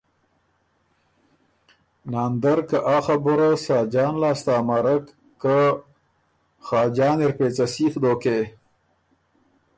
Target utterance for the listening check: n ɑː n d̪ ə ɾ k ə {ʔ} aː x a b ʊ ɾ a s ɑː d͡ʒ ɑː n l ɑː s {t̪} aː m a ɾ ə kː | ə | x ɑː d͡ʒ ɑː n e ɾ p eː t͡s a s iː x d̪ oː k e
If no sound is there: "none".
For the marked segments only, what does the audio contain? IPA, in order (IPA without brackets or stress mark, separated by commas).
ʔ, t̪